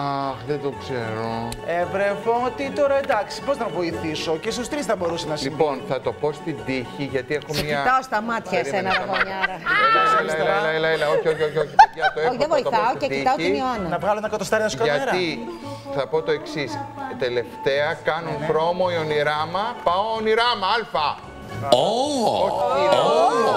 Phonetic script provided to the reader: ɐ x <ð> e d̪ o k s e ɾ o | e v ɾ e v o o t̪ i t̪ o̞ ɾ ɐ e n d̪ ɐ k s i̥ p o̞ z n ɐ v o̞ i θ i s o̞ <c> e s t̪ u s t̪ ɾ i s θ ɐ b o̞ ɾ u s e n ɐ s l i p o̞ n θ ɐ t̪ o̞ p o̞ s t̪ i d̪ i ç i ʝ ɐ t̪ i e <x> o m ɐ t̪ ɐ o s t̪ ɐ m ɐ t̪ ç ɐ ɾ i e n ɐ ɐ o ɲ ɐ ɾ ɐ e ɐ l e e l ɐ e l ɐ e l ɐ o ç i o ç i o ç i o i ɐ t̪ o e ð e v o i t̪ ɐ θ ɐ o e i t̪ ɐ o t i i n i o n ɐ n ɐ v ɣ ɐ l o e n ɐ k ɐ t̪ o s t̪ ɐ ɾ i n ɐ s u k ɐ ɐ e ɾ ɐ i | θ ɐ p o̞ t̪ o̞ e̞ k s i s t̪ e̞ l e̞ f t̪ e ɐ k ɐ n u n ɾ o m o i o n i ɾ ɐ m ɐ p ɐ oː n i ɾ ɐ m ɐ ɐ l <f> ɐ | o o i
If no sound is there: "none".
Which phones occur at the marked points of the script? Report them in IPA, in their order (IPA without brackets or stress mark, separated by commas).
ð, c, x, f